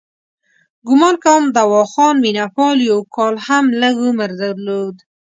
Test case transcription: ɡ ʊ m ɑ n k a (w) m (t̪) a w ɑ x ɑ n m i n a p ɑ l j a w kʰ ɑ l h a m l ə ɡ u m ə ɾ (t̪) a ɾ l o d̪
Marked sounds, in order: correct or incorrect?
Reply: correct, incorrect: d̪, incorrect: d̪

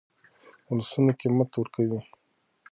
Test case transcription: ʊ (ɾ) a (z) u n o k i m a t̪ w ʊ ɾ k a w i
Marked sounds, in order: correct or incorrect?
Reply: incorrect: l, incorrect: s

